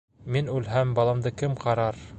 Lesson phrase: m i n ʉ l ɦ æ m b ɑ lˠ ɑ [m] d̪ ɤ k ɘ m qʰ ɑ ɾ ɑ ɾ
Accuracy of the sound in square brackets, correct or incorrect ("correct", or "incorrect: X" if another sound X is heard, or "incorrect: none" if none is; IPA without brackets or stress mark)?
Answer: correct